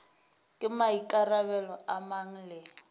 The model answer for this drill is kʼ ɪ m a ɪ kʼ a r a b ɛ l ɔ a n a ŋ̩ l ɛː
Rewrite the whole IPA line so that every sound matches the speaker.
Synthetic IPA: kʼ ɪ m a i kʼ a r a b ɛ l ɔ a m a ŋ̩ l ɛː

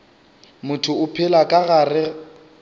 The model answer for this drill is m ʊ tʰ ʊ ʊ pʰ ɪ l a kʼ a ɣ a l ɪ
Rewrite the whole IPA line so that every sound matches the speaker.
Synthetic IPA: m ʊ tʰ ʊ ʊ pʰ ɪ l a kʼ a ɣ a r ɪ

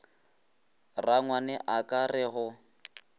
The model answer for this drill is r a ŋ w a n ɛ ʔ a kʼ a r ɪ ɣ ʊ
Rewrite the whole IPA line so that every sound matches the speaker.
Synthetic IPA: r a ŋ w a n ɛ ʔ a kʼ a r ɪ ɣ ʊ

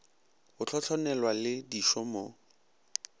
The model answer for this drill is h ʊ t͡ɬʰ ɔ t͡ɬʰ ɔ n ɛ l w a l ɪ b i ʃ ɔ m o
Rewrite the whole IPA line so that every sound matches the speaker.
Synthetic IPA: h ʊ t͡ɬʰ ɔ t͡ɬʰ ɔ n ɛ l w a l ɪ d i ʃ ɔ m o

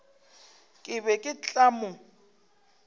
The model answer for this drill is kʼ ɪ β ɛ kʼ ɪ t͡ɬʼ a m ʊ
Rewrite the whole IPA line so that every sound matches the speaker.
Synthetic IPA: kʼ ɪ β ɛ kʼ ɪ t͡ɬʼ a m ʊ

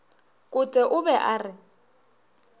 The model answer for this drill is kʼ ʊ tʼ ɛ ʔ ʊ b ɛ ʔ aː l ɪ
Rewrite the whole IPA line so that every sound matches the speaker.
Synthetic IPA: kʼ ʊ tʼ ɛ ʔ ʊ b ɛ ʔ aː r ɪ

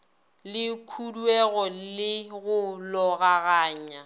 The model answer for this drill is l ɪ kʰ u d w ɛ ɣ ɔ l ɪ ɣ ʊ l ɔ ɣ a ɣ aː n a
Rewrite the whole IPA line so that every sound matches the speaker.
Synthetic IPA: l ɪ kʰ u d w ɛ ɣ ɔ l ɪ ɣ ʊ l ɔ ɣ a ɣ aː ɲ a

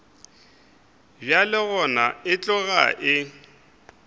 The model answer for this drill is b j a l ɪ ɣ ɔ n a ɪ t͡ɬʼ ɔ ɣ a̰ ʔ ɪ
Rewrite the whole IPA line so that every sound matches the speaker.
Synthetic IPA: b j a l ɪ ɣ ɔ n a ɪ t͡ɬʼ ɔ ɣ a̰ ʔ ɪ

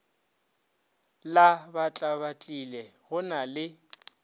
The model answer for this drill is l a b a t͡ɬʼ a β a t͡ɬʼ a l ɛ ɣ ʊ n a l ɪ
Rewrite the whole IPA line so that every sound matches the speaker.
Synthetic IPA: l a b a t͡ɬʼ a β a t͡ɬʼ i l ɛ ɣ ʊ n a l ɪ

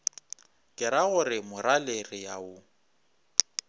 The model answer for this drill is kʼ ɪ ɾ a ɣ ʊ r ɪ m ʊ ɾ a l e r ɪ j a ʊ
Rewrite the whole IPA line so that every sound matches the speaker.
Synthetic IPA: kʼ ɪ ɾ a ɣ ʊ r ɪ m ʊ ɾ a l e r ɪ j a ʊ

